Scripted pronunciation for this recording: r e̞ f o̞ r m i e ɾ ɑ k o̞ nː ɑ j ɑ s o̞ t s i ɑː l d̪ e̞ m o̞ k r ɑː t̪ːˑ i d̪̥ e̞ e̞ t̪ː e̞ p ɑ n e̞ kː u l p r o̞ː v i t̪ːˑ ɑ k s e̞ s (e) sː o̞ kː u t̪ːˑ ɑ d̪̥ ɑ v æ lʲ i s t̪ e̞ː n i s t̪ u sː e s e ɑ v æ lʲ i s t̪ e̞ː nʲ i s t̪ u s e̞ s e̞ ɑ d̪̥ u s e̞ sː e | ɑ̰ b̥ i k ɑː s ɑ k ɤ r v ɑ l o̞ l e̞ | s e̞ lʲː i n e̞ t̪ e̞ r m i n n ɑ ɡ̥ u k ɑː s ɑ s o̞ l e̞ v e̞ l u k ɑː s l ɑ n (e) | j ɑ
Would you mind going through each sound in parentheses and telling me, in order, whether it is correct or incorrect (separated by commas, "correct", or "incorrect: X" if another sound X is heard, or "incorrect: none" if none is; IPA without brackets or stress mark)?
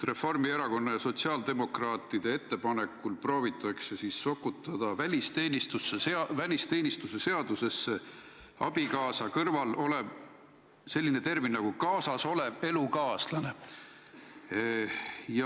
incorrect: i, correct